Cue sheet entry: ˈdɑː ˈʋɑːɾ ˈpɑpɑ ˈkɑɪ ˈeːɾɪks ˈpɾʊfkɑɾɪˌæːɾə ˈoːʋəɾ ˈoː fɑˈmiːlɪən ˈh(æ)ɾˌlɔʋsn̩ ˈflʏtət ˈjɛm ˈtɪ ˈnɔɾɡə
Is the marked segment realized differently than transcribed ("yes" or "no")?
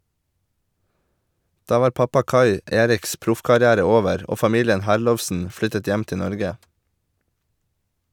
no